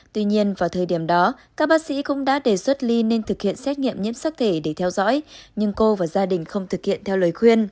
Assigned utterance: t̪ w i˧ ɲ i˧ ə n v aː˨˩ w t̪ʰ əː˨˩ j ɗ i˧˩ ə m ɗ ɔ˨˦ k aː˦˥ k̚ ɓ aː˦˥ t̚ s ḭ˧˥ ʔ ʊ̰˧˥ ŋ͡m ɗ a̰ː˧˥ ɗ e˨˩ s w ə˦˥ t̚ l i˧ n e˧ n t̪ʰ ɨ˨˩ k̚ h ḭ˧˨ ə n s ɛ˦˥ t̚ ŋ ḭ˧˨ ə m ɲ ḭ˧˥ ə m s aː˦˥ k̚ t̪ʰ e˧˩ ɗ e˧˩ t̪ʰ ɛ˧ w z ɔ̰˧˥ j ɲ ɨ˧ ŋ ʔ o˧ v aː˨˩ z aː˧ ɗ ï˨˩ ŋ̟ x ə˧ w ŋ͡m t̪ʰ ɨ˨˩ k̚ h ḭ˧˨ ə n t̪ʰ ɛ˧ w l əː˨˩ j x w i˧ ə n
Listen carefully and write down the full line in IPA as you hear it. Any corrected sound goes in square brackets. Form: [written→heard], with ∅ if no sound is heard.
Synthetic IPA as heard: t̪ w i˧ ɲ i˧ ə n v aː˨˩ w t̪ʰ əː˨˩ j ɗ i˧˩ ə m ɗ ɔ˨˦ k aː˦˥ k̚ ɓ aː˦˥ [t̚→k̚] s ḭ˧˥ [ʔ→k] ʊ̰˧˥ ŋ͡m ɗ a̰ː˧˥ ɗ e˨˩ s w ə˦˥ t̚ l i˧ n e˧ n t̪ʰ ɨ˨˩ k̚ h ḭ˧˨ ə n s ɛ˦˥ t̚ ŋ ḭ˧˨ ə m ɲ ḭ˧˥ ə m s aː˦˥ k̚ t̪ʰ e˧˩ ɗ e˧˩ t̪ʰ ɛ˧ w z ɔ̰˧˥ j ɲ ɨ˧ ŋ [ʔ→k] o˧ v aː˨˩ z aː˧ ɗ ï˨˩ ŋ̟ x ə˧ w ŋ͡m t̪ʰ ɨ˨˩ k̚ h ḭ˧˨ ə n t̪ʰ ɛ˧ w l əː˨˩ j x w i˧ ə n